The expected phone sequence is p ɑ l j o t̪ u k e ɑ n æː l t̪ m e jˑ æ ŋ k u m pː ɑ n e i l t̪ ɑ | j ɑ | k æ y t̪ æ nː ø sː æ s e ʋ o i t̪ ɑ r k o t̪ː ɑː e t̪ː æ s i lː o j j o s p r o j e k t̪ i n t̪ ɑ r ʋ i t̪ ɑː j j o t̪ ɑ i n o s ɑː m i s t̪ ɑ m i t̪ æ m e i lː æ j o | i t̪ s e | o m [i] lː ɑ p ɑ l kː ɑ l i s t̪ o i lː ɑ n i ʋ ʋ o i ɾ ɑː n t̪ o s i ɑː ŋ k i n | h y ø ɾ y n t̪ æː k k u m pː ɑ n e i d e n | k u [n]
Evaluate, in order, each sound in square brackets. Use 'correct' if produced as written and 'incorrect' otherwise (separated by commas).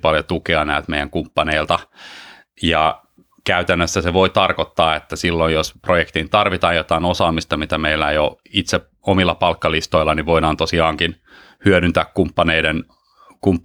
correct, incorrect